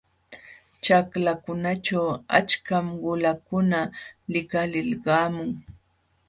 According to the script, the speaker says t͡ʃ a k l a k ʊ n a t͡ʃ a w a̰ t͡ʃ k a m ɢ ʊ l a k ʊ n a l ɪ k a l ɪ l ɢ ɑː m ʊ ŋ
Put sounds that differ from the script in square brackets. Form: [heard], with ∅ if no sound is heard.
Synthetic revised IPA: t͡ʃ a k l a k ʊ n a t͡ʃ a w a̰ t͡ʃ k a m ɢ ʊ l a k ʊ n a l ɪ k a l ɪ l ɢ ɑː m ʊ ŋ